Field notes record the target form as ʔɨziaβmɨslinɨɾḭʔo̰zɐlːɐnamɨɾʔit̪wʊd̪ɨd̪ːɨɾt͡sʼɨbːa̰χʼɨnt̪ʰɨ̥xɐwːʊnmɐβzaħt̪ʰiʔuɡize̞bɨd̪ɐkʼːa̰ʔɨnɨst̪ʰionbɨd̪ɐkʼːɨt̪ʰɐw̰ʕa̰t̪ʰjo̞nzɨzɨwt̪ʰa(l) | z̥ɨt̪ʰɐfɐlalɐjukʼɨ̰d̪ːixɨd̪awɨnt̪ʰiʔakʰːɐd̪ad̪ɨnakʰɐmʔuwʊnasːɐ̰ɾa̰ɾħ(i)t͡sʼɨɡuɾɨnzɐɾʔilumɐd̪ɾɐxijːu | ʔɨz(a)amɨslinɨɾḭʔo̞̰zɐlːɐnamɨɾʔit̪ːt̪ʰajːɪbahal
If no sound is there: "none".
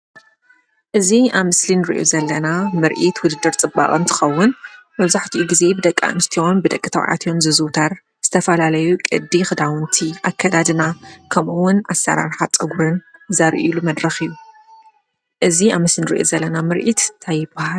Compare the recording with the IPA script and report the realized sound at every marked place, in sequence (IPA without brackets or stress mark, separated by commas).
ɾ, a, i